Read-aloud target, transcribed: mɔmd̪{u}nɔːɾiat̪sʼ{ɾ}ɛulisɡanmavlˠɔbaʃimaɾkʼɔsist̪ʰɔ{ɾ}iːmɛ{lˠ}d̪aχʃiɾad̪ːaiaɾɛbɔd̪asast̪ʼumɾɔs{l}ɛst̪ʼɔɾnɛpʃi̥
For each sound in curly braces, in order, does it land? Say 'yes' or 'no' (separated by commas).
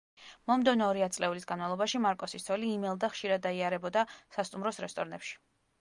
no, no, no, yes, no